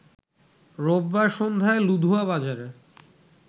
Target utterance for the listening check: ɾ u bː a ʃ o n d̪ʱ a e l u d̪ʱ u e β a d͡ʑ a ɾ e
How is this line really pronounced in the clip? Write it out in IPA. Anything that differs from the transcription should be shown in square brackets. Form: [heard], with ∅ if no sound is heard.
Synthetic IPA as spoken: ɾ [o] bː a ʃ o n d̪ʱ a e l u d̪ʱ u [a] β a d͡ʑ a ɾ e